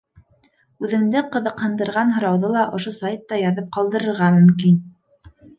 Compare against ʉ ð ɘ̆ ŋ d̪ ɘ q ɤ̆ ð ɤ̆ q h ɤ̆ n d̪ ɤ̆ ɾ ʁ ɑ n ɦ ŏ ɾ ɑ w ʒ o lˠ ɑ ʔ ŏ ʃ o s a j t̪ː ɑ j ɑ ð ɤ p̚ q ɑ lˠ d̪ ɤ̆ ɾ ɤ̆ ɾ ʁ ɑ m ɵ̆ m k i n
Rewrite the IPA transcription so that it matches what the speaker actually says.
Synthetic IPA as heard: ʉ ð ɘ̆ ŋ d̪ ɘ q ɤ̆ ð ɤ̆ q h ɤ̆ n d̪ ɤ̆ ɾ ʁ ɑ n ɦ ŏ ɾ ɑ w ð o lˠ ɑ ʔ ŏ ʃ o s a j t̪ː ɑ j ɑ ð ɤ p̚ q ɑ lˠ d̪ ɤ̆ ɾ ɤ̆ ɾ ʁ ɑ m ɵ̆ m k i n